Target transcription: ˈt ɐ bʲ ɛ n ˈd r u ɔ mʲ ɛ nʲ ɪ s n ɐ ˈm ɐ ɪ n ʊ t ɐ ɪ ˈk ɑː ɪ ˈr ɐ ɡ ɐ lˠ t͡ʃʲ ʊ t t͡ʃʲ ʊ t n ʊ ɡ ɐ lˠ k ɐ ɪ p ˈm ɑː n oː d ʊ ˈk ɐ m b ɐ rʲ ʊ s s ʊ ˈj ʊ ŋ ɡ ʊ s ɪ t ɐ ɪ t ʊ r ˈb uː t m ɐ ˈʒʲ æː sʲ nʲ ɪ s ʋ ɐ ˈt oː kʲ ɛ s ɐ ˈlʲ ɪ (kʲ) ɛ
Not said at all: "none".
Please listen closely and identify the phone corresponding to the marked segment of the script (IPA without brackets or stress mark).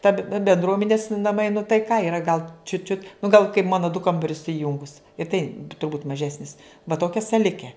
kʲ